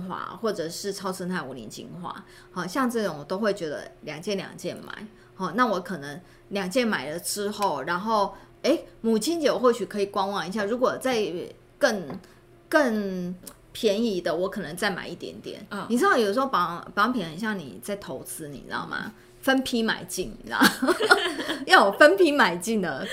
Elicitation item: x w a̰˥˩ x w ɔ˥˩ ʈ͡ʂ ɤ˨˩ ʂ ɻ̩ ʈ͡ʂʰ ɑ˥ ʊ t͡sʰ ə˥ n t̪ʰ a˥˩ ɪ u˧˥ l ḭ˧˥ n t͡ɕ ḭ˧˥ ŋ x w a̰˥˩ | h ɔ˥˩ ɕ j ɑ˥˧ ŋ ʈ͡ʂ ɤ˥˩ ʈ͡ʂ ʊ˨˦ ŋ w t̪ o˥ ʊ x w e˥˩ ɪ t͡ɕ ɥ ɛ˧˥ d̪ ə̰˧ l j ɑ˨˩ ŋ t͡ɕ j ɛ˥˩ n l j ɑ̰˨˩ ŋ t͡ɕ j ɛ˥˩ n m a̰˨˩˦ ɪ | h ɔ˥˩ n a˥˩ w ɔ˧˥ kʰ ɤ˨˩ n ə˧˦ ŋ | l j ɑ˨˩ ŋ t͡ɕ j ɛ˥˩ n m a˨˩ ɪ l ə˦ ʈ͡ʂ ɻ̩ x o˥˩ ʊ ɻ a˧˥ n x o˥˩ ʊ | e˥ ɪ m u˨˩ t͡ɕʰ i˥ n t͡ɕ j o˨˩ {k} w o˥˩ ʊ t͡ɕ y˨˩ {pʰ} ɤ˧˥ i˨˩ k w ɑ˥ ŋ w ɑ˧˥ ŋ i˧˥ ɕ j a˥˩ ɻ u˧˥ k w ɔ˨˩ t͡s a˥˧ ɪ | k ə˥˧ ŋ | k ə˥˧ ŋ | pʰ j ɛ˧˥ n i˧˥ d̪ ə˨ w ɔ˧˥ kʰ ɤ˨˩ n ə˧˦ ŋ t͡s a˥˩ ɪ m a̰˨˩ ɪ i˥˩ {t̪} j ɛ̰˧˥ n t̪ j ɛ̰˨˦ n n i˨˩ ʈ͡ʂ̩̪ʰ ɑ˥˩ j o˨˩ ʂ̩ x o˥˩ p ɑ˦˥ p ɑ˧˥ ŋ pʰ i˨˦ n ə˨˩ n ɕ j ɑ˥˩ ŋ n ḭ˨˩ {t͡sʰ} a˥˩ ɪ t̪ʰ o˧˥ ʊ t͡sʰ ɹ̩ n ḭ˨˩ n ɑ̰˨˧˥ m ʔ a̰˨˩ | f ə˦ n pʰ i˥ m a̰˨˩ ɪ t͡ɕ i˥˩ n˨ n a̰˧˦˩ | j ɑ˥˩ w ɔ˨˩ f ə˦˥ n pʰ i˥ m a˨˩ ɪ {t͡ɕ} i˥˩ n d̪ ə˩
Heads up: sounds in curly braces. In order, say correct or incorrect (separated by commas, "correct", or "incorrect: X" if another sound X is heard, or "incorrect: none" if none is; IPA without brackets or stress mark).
incorrect: x, incorrect: kʰ, correct, incorrect: t͡s, correct